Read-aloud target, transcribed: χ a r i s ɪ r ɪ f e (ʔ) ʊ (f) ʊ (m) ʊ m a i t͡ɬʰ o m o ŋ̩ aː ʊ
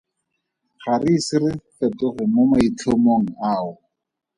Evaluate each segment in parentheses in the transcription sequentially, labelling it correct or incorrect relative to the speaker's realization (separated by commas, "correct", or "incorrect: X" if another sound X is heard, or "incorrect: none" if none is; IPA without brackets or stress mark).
incorrect: t, incorrect: χ, correct